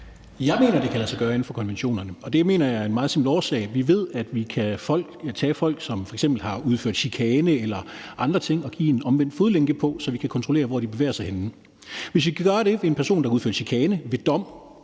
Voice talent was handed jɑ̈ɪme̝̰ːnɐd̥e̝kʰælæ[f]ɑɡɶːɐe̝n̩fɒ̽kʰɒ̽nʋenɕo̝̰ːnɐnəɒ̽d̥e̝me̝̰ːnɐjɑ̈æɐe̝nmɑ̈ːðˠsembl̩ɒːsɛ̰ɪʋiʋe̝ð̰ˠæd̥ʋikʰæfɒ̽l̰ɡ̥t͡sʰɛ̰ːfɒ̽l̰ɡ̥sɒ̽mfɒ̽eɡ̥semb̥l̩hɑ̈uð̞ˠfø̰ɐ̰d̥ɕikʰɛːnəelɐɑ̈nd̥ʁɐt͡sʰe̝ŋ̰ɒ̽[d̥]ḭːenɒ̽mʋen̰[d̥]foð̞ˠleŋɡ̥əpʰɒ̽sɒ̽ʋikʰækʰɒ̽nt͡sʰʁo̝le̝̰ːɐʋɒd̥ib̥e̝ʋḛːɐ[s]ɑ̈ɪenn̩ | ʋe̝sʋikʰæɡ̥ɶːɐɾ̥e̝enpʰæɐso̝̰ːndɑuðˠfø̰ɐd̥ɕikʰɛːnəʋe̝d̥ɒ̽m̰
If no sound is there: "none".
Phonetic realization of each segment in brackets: s, ɡ̥, d̥, s

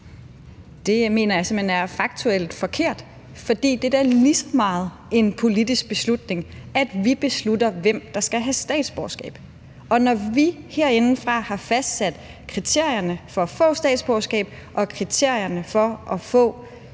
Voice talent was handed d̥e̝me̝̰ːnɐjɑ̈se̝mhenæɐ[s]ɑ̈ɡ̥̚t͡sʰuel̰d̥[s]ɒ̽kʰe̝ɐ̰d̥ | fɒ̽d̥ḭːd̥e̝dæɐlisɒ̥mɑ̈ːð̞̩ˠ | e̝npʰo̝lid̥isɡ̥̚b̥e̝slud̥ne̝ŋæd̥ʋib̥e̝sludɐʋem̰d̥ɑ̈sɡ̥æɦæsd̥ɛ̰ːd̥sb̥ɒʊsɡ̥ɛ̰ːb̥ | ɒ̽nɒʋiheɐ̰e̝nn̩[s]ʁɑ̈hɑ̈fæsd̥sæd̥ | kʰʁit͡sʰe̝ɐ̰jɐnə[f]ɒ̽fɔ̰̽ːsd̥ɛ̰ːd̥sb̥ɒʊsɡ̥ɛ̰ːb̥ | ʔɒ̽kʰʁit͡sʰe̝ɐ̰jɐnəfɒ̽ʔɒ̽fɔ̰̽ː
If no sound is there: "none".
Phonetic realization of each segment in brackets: f, f, f, f

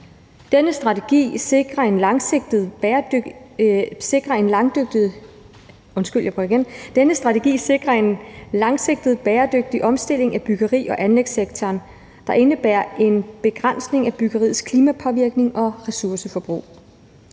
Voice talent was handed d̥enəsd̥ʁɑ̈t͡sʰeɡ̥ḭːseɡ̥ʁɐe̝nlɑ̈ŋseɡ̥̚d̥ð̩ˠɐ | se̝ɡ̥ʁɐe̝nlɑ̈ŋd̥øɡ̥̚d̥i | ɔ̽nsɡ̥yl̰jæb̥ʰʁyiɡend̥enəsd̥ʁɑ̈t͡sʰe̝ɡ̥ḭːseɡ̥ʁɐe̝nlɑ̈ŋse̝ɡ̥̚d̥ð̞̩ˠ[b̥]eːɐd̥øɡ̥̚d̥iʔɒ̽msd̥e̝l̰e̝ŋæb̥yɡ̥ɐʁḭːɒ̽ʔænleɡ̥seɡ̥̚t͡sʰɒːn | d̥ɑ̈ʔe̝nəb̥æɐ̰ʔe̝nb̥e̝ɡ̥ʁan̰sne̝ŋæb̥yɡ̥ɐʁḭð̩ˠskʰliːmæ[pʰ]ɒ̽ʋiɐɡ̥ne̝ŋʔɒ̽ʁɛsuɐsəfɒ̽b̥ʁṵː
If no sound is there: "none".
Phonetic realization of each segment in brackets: b̥, pʰ

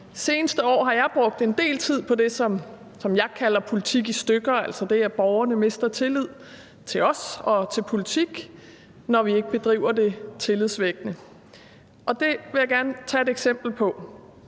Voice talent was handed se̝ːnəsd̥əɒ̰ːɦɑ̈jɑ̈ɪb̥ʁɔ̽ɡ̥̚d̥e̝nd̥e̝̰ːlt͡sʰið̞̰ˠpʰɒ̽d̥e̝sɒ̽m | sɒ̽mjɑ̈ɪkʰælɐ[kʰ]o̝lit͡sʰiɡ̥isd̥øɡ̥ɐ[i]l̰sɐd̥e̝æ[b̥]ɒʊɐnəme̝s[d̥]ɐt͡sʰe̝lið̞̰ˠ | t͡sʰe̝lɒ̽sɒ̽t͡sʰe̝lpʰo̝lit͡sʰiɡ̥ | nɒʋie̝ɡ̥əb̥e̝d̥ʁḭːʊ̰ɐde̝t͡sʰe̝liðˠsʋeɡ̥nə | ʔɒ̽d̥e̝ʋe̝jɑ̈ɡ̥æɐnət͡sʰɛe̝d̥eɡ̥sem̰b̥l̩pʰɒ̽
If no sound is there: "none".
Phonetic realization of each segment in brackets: pʰ, æ, b̥, d̥

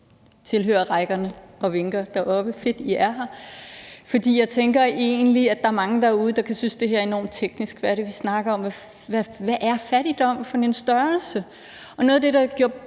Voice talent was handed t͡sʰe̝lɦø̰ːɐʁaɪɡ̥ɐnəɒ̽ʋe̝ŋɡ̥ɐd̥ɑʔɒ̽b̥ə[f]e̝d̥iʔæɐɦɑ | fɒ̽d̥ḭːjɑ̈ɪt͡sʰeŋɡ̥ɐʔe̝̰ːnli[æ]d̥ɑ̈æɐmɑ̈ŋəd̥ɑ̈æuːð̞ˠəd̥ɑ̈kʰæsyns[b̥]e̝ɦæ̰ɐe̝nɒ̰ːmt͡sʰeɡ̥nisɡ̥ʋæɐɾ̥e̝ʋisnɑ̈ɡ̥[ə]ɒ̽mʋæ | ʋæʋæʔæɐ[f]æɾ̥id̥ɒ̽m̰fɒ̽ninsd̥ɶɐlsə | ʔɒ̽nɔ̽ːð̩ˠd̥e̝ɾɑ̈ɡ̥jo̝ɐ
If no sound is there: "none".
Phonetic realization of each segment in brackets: f, æ, d̥, ɐ, f

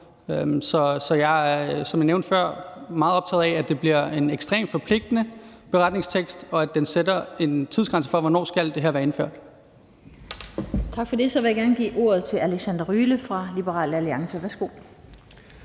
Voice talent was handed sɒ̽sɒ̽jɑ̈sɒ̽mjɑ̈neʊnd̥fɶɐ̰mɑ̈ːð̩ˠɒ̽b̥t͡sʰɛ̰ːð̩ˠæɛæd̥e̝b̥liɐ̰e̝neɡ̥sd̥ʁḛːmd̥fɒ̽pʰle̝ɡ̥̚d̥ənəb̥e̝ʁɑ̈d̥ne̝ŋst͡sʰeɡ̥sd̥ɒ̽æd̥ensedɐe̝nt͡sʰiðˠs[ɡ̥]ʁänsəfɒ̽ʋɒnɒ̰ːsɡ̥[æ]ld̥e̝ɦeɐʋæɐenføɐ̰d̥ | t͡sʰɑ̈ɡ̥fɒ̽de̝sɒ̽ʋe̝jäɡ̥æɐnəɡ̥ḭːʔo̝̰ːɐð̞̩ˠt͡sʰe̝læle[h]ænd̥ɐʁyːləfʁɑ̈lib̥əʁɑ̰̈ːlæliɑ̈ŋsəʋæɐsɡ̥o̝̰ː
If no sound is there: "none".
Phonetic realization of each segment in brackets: ɡ̥, æ, s

